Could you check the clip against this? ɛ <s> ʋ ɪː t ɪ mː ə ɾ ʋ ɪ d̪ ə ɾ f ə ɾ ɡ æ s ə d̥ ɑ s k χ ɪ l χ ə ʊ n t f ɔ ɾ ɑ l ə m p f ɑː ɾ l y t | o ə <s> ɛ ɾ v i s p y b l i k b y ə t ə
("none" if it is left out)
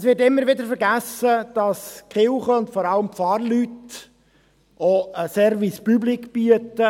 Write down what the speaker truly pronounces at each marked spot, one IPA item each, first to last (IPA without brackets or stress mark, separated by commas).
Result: s, s